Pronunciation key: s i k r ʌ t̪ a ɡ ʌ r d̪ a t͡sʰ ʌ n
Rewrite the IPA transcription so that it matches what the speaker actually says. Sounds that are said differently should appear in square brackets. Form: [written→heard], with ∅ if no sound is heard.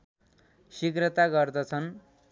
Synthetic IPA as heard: s i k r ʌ t̪ a ɡ ʌ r d̪ [a→ʌ] t͡sʰ ʌ n